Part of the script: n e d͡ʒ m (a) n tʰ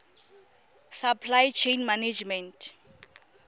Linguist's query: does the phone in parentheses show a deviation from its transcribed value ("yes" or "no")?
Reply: yes